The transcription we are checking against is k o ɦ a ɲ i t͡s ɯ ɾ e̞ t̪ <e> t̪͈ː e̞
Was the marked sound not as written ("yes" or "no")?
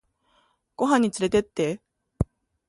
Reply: no